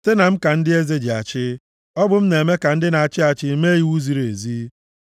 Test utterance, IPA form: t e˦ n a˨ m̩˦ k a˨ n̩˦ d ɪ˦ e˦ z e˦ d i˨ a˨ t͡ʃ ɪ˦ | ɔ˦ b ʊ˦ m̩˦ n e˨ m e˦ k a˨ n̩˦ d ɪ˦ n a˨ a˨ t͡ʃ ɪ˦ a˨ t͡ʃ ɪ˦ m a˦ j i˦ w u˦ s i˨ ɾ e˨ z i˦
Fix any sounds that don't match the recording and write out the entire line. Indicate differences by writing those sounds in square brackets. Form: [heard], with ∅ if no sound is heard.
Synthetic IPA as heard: t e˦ n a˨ m̩˦ k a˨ n̩˦ d ɪ˦ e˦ z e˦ [d͡ʒ] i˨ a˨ t͡ʃ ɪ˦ | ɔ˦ b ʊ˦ m̩˦ n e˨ m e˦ k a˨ n̩˦ d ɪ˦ n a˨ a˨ t͡ʃ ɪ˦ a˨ t͡ʃ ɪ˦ m [e˦] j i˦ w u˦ [z] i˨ ɾ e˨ z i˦